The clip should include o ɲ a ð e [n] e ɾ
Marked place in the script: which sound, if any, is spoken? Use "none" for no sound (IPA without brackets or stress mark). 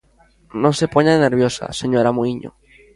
n